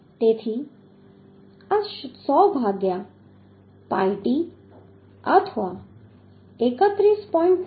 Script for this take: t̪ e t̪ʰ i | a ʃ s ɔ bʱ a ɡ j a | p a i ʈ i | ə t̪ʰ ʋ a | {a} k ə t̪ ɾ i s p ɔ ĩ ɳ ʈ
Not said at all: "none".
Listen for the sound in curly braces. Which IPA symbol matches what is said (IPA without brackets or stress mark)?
e